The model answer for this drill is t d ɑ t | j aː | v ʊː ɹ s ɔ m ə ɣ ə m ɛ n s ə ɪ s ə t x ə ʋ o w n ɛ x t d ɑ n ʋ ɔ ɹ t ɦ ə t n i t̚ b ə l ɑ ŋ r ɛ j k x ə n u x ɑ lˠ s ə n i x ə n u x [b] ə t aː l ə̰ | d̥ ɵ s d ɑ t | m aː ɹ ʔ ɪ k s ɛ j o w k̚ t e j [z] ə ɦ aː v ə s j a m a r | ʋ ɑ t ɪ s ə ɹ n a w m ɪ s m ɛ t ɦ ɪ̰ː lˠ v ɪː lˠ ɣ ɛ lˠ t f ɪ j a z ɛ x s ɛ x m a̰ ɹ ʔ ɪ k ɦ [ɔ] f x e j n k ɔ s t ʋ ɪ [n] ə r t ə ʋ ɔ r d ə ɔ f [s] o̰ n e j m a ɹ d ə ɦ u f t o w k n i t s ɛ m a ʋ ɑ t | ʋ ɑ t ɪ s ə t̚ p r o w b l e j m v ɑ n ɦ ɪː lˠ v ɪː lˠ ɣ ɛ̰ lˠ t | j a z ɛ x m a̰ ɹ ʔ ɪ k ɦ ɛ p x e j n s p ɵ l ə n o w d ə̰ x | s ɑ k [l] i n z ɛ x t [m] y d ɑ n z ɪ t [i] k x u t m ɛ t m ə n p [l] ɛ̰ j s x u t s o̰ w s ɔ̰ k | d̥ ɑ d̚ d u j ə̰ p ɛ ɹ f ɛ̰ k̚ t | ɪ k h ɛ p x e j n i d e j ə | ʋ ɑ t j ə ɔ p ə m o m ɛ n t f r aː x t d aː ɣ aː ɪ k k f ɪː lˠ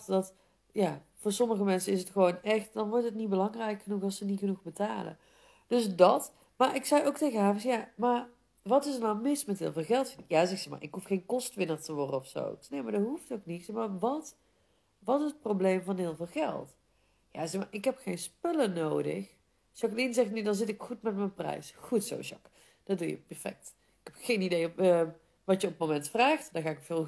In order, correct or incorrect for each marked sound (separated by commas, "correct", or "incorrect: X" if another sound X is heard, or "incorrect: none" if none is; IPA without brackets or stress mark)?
correct, incorrect: ɣ, incorrect: u, correct, correct, correct, incorrect: n, incorrect: ɪ, incorrect: r